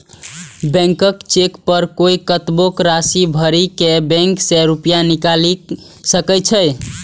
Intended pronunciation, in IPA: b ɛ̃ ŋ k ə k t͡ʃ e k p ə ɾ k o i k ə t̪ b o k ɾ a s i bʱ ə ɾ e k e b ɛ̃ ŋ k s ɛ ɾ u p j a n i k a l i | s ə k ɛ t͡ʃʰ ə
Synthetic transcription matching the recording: b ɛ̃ ŋ k ə k t͡ʃ e k p ə ɾ k o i k ə t̪ b o k ɾ a s i bʱ ə ɾ i k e b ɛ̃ ŋ k s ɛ ɾ u p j a n i k a l i | s ə k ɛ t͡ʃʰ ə